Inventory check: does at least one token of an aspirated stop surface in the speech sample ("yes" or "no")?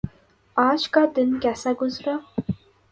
no